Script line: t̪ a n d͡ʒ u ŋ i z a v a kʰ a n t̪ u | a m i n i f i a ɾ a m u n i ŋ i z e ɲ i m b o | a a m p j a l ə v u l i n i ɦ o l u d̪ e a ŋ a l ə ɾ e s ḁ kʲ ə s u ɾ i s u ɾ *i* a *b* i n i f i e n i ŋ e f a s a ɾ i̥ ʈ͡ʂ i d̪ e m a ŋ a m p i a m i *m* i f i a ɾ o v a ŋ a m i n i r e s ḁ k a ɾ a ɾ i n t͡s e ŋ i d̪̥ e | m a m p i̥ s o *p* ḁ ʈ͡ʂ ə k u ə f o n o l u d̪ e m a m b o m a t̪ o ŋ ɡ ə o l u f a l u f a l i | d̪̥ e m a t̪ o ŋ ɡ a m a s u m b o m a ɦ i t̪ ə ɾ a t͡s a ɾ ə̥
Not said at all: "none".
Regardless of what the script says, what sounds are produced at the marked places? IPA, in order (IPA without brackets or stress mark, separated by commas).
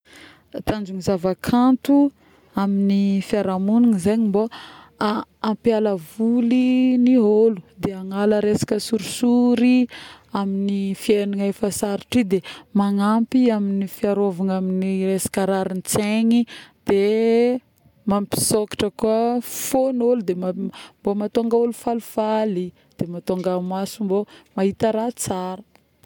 i, m, n, k